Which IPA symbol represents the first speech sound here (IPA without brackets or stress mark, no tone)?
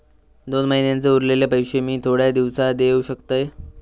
d̪